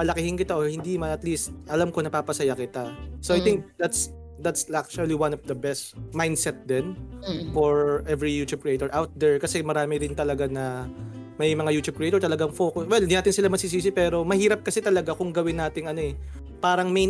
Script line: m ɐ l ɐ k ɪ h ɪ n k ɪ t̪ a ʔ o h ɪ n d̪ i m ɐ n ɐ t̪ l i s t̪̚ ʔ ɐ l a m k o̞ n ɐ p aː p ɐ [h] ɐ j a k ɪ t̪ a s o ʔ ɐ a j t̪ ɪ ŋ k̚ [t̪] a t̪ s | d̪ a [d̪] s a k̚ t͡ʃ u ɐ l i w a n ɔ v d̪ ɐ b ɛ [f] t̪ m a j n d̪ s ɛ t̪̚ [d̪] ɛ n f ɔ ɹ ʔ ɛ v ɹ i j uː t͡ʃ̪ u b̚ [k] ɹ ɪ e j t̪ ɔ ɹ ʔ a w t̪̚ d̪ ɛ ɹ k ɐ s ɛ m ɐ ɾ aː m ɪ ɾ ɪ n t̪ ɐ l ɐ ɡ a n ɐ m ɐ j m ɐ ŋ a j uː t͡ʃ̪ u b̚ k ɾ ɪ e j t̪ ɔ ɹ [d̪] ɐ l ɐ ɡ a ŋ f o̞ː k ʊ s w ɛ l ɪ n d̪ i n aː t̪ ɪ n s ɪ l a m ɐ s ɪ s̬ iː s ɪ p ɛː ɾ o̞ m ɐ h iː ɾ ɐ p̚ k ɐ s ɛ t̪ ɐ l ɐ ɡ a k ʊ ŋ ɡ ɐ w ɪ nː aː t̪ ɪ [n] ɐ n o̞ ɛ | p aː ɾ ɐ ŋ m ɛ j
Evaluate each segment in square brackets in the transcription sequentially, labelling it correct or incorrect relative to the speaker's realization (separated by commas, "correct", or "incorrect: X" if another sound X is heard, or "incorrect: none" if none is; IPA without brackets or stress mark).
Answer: incorrect: s, incorrect: d̪, incorrect: t̪, incorrect: s, correct, correct, incorrect: t̪, incorrect: ŋ